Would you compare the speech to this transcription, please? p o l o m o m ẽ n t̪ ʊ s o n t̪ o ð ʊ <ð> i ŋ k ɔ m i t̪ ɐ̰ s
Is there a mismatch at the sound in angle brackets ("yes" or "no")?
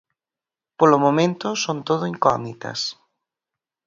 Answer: yes